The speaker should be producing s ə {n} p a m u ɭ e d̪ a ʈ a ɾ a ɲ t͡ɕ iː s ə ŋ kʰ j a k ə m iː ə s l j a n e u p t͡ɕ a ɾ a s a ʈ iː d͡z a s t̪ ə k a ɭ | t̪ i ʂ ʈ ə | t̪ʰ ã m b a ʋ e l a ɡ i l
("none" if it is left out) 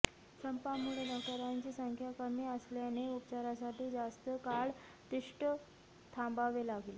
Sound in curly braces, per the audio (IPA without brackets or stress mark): m